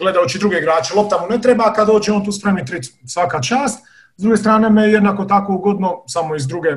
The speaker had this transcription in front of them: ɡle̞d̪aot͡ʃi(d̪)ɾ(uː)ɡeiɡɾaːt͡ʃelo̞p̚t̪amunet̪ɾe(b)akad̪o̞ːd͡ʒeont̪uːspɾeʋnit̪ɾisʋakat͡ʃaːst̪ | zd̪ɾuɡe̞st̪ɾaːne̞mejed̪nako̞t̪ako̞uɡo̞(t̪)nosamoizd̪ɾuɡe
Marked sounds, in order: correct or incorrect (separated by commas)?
correct, incorrect, correct, incorrect